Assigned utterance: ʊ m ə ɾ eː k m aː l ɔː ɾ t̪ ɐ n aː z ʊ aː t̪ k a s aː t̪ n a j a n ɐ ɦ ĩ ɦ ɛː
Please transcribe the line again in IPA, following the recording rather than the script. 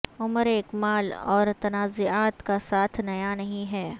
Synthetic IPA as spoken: ʊ m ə ɾ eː k m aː l ɔː ɾ t̪ ɐ n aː z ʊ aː t̪ k a s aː t̪ʰ n ɐ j a n ɐ ɦ ĩ ɦ ɛː